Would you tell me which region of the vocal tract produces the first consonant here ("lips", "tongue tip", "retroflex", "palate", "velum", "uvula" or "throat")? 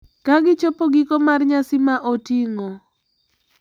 velum